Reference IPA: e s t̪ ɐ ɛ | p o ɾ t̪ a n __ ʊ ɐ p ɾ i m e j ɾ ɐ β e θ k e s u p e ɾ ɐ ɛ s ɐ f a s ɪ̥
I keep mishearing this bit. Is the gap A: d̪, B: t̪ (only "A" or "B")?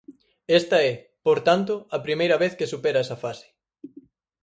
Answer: B